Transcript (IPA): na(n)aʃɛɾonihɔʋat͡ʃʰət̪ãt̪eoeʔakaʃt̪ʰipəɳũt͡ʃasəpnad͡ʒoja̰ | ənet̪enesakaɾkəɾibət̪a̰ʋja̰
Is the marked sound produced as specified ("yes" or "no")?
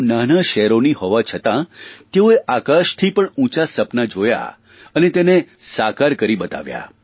yes